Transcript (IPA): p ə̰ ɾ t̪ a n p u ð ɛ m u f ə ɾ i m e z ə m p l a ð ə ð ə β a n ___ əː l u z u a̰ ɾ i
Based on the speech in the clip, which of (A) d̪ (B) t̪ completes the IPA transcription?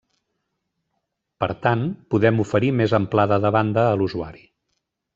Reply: A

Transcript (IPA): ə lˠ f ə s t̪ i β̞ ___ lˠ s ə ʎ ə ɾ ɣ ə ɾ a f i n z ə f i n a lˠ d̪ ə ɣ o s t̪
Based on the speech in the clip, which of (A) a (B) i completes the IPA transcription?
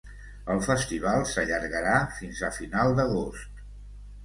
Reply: A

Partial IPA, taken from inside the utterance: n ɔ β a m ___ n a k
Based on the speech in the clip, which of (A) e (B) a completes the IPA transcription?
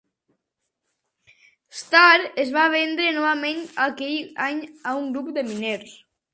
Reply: A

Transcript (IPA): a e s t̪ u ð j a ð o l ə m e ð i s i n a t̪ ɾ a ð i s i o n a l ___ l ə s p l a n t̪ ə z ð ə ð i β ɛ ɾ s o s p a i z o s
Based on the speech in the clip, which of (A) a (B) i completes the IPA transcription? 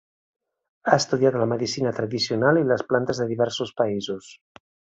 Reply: B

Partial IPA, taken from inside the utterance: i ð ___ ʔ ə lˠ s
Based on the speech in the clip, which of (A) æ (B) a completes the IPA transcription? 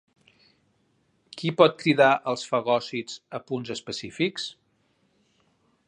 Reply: B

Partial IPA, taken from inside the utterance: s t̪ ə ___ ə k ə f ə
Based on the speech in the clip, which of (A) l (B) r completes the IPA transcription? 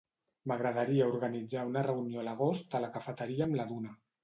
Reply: A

